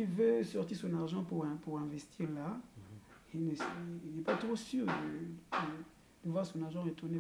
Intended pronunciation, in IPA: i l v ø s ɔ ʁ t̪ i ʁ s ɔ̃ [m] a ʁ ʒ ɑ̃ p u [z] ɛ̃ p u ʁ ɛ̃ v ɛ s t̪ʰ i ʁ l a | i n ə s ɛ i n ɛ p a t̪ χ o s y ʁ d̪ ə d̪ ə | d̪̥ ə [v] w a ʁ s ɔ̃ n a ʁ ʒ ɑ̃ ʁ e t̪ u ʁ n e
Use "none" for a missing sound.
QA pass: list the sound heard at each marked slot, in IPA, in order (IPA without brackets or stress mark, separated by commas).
n, ʁ, v